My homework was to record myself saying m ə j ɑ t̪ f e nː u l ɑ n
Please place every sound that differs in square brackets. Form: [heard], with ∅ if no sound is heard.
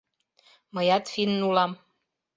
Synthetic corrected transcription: m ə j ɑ t̪ f [i] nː u l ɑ [m]